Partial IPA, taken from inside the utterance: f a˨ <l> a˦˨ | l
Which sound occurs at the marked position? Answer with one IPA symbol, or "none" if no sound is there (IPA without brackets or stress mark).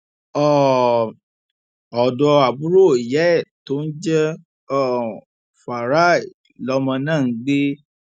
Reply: ɾ